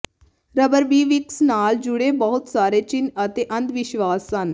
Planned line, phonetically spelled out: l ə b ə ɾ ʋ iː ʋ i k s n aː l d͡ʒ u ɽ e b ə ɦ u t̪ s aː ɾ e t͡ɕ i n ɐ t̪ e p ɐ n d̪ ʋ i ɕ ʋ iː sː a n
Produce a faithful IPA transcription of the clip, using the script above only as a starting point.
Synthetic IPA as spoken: ɾ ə b ə ɾ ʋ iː ʋ i k s n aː l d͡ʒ u ɽ e b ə ɦ u t̪ s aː ɾ e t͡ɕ i n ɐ t̪ e ʔ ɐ n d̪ ʋ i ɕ ʋ aː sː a n